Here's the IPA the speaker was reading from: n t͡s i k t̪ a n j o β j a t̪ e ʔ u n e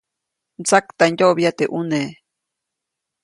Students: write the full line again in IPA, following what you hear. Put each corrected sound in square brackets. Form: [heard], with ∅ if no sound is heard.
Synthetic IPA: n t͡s [a] k t̪ a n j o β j a t̪ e ʔ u n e